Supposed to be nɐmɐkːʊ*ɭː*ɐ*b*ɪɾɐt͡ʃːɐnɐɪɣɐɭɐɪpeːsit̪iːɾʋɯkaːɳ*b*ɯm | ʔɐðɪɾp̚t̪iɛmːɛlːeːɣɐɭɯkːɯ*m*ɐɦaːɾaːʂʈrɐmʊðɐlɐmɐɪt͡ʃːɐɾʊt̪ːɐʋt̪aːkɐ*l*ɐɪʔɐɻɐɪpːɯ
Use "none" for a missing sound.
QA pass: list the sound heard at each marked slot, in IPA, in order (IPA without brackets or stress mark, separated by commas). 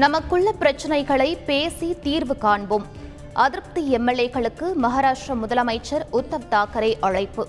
ɭː, p, b, m, ɾ